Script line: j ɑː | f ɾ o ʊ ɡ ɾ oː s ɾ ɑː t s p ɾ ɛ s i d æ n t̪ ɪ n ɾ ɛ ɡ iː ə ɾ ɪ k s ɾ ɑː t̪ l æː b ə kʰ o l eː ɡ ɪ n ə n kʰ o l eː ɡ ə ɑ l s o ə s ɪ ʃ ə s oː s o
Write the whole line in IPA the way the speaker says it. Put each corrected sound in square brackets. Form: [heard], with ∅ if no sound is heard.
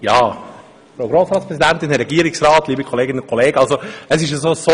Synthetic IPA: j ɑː | f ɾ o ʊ ɡ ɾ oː s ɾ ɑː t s p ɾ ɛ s i d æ n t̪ ɪ n ɾ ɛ ɡ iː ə ɾ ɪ k s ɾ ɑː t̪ l [iː] b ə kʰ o l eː ɡ ɪ n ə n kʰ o l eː ɡ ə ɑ l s o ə s ɪ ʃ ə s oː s o